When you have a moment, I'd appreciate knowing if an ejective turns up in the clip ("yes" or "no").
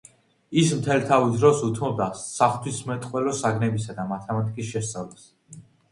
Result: yes